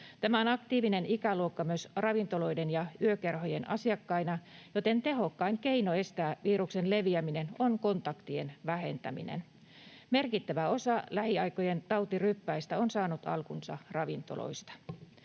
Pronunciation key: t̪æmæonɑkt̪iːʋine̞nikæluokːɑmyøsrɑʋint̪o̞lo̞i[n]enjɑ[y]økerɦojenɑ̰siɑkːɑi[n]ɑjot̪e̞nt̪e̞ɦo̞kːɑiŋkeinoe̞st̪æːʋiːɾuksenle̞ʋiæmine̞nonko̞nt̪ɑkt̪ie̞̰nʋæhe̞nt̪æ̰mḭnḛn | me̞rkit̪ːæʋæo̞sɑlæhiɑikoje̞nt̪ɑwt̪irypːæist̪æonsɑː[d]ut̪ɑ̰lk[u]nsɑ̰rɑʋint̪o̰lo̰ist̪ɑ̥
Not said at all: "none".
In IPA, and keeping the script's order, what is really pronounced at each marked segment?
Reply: d, y, n, n, u

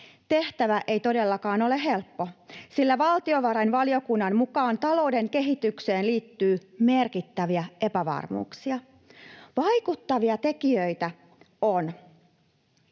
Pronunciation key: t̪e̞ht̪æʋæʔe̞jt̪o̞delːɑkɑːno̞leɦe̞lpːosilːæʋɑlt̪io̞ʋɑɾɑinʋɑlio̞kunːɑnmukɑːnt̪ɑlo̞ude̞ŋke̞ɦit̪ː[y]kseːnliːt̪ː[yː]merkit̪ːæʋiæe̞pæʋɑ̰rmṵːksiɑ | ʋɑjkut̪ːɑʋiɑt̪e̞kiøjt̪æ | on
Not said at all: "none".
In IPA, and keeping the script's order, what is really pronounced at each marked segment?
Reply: y, yː

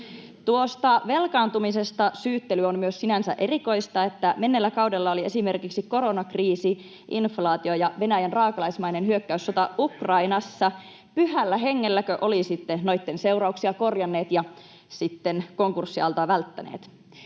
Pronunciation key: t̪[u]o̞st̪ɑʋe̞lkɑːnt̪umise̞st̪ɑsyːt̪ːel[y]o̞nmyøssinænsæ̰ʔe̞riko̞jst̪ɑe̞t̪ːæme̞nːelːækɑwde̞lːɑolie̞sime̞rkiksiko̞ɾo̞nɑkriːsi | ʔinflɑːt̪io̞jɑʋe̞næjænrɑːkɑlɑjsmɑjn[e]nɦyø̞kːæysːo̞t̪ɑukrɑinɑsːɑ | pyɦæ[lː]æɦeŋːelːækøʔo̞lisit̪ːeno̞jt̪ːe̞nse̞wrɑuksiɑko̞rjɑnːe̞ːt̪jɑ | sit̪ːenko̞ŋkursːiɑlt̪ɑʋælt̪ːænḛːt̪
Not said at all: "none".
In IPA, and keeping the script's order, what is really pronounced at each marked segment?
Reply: u, y, e, lː

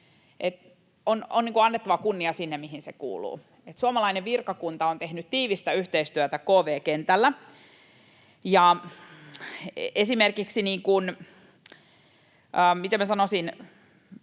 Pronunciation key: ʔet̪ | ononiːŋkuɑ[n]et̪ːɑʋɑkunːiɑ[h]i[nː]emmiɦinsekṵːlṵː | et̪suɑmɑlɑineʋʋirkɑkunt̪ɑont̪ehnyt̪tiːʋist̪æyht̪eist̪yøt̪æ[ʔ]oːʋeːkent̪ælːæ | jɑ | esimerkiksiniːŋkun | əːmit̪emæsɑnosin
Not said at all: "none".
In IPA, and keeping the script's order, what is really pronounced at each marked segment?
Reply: nː, s, nː, k

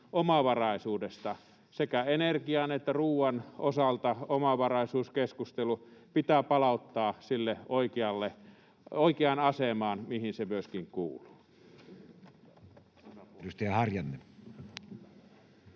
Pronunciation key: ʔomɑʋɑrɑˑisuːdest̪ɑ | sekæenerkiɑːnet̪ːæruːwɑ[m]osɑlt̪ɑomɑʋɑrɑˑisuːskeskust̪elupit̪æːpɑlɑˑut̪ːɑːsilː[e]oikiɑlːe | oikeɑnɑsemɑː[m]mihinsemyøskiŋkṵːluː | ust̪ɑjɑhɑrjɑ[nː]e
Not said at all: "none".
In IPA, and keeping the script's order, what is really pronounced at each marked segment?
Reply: n, e, n, nː

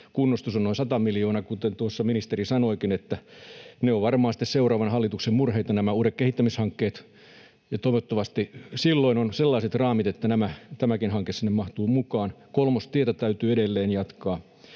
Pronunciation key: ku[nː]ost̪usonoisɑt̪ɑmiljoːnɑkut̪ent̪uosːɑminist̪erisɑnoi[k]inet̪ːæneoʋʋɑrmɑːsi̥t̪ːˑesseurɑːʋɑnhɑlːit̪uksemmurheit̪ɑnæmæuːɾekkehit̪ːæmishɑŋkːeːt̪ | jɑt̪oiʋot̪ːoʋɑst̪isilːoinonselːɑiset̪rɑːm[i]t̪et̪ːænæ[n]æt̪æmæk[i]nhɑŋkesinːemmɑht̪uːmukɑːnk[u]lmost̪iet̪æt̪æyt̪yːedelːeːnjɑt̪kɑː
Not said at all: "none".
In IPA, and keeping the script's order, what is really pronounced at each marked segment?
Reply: nː, k, i, m, i, o

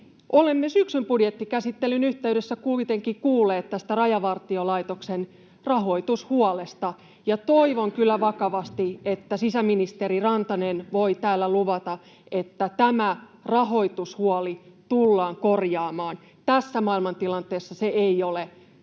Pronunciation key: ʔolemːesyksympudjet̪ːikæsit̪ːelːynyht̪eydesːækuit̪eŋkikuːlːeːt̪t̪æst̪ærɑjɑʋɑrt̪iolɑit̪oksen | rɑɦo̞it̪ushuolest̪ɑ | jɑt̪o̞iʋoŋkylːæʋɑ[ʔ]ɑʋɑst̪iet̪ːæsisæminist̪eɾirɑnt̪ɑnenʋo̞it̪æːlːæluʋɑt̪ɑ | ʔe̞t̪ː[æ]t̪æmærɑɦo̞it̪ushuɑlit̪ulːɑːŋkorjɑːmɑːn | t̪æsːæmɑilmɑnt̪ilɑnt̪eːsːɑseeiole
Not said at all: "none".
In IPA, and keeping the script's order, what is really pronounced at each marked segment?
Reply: k, æ

